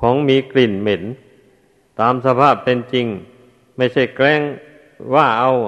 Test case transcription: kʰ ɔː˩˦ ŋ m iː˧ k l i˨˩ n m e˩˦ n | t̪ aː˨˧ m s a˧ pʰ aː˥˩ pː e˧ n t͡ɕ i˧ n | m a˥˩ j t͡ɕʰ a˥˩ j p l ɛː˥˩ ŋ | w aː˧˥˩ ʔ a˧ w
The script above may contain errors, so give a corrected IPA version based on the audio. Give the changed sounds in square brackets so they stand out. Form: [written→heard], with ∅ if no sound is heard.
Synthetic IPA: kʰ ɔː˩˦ ŋ m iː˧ k l i˨˩ n m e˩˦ n | t̪ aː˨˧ m s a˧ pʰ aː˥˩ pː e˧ n t͡ɕ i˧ [n→ŋ] | m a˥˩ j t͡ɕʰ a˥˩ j [p→k] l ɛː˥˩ ŋ | w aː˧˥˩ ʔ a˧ w